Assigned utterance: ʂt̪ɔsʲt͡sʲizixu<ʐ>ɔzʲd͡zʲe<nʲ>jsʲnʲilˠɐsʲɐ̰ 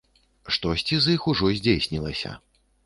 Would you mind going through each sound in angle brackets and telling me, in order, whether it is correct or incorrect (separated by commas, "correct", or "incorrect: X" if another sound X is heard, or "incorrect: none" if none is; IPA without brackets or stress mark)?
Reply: correct, incorrect: none